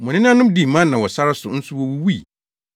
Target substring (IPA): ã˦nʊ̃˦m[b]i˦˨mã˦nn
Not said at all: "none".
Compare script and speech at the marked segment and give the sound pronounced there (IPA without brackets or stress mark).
d